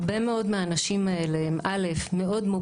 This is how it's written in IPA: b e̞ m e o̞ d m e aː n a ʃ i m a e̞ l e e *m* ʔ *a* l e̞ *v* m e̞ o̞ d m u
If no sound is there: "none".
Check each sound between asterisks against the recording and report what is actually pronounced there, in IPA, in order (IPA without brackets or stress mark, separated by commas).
m, a, f